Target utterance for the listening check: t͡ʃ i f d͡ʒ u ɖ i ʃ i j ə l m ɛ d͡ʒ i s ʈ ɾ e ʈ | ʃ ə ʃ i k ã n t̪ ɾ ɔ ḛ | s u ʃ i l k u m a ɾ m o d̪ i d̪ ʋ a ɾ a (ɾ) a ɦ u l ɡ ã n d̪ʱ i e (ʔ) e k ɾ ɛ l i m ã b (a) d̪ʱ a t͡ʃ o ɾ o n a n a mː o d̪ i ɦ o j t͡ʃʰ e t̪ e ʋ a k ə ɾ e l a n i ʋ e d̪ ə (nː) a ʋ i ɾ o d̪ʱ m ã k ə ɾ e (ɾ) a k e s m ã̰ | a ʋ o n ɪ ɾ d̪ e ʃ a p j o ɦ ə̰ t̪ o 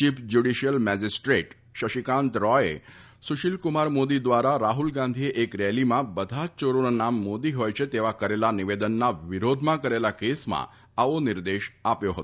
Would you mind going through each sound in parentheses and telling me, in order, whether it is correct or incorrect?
correct, correct, incorrect: ə, correct, incorrect: l

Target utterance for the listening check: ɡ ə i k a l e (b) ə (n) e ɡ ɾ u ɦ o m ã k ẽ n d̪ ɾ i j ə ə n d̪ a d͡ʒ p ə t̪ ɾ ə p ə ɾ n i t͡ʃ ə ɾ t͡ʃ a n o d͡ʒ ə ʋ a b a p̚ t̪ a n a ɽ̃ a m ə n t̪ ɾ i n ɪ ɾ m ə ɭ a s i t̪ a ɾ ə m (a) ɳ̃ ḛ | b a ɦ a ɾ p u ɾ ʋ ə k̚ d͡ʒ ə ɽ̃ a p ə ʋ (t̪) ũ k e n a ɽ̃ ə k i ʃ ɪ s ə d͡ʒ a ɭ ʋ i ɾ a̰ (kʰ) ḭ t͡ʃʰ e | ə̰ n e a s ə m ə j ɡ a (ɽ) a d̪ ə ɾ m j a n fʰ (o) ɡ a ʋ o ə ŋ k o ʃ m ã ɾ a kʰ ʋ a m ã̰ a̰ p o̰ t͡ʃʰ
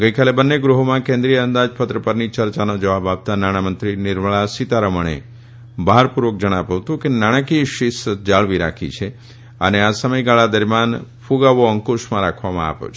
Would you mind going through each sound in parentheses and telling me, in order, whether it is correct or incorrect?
correct, incorrect: nː, incorrect: ə, correct, correct, incorrect: ɭ, incorrect: u

